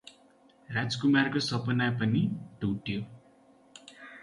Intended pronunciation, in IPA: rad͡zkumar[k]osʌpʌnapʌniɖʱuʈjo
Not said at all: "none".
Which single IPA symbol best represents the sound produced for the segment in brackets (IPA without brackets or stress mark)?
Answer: k